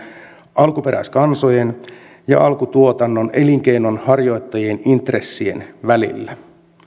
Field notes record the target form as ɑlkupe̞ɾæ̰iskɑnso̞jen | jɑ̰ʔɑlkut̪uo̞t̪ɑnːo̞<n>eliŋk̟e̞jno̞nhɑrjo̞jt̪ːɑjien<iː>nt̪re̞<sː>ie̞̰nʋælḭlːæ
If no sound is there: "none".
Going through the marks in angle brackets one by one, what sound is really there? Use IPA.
n, i, sː

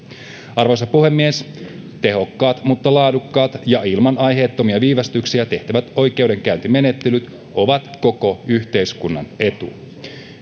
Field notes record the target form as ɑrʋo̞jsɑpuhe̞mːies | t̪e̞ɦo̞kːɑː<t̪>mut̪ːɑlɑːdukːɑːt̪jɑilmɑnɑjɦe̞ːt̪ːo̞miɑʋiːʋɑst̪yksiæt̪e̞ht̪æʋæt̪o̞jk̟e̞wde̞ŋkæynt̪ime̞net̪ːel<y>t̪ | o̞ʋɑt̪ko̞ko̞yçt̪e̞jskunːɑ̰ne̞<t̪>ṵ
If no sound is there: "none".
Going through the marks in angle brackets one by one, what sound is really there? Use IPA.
t̪, y, t̪

